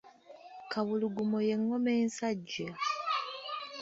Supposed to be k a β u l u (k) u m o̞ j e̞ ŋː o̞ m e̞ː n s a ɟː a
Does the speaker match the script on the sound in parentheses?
no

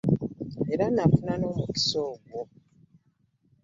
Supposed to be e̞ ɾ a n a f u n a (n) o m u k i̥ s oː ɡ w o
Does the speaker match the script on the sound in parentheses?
yes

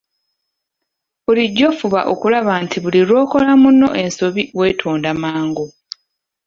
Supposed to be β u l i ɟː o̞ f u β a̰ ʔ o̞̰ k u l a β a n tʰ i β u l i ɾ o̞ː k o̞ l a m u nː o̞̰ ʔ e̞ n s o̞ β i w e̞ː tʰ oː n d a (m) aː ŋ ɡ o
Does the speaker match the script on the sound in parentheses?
yes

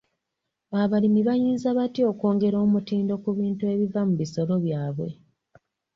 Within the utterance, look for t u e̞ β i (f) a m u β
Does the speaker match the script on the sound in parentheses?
no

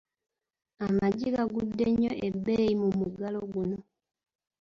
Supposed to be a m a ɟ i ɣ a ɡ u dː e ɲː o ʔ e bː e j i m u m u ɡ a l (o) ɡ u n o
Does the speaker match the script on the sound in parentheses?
yes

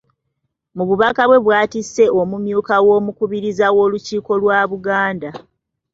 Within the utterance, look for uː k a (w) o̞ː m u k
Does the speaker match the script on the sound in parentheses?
yes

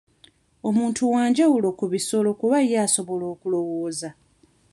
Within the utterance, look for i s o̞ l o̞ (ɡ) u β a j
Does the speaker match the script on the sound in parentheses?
no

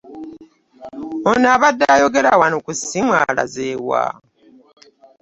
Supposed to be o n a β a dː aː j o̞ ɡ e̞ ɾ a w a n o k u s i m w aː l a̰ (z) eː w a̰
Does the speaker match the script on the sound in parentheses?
yes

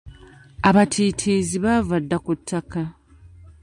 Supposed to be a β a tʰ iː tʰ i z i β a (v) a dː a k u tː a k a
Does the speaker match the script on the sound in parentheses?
yes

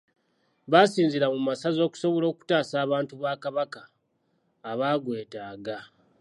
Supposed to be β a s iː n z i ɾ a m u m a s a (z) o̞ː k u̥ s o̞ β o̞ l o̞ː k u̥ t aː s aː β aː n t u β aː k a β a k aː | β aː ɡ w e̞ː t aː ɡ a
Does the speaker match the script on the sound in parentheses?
yes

